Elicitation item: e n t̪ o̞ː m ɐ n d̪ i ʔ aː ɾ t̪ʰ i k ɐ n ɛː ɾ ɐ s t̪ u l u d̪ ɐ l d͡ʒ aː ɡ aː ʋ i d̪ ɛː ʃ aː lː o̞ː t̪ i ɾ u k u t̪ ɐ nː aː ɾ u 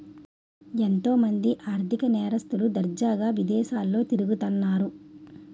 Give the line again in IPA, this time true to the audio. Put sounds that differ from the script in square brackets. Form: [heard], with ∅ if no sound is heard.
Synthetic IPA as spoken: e n t̪ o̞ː m ɐ n d̪ i ʔ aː ɾ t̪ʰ i k ɐ n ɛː ɾ ɐ s t̪ u l u d̪ ɐ [ɾ] d͡ʒ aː ɡ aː ʋ i d̪ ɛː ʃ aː lː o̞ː t̪ i ɾ u [ɡ] u t̪ ɐ nː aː ɾ u